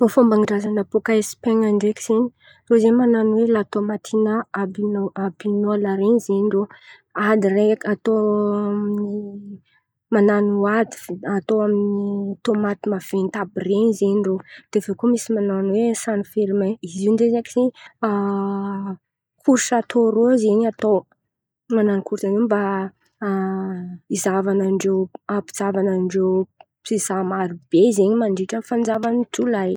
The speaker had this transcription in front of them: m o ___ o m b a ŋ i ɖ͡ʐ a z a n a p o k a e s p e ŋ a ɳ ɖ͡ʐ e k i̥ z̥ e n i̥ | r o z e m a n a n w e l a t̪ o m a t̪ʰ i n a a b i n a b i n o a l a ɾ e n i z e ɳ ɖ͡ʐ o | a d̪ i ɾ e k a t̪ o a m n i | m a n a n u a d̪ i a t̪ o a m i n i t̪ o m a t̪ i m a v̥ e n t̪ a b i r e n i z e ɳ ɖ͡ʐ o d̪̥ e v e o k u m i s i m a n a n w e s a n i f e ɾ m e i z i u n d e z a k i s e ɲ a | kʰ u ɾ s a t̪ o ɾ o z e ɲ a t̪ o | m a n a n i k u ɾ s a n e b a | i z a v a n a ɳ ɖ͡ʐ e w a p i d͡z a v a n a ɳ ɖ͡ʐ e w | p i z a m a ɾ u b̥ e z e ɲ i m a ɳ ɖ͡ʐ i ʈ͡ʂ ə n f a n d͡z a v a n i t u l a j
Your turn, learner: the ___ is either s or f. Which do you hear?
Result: f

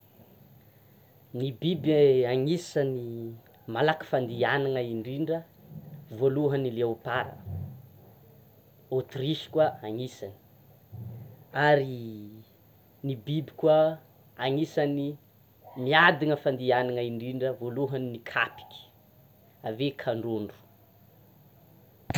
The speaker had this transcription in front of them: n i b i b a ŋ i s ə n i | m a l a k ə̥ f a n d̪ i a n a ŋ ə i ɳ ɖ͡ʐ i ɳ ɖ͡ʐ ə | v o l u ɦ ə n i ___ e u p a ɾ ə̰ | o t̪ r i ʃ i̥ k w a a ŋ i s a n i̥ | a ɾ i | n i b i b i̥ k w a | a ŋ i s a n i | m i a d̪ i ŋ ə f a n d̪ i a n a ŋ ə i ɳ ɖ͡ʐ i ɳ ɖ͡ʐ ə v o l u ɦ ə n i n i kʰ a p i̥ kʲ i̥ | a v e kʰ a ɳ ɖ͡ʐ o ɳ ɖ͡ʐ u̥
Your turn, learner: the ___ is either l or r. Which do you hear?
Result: l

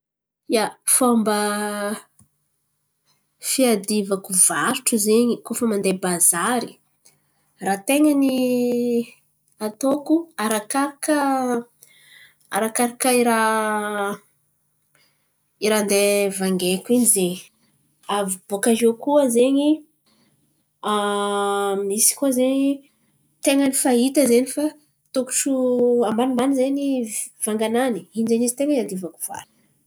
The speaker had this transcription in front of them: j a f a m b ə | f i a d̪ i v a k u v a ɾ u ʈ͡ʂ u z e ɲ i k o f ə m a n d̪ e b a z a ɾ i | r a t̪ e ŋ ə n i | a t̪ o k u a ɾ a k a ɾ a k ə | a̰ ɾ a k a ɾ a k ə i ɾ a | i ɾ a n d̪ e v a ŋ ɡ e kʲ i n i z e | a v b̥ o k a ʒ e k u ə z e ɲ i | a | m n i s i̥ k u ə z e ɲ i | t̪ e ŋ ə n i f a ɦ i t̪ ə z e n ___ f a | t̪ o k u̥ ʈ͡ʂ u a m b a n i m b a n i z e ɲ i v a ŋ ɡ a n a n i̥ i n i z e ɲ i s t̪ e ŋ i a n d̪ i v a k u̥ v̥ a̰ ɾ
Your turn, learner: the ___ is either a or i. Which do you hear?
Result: i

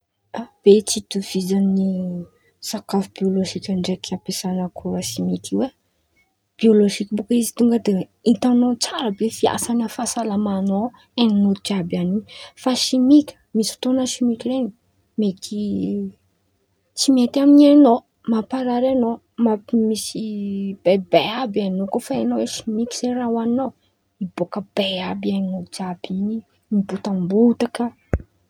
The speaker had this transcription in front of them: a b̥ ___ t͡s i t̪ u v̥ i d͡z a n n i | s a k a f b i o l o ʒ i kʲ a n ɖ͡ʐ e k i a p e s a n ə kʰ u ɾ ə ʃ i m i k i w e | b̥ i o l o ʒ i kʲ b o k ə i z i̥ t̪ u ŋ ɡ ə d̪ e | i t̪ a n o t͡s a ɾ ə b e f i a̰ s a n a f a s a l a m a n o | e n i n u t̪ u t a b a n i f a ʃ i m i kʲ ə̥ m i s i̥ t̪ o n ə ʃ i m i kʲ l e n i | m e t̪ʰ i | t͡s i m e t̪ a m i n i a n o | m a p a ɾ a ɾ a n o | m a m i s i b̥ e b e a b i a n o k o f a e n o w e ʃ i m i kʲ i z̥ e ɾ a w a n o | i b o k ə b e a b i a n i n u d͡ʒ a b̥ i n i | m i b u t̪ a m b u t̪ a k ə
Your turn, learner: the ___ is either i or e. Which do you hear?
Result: e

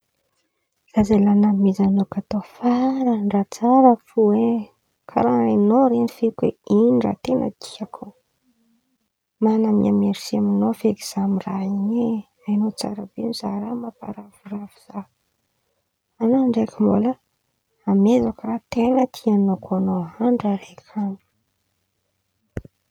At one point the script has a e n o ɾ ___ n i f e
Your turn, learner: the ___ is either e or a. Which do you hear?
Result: e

